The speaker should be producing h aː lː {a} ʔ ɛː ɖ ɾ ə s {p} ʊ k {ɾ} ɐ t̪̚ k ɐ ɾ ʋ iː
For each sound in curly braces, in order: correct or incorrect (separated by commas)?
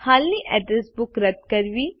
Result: incorrect, incorrect, correct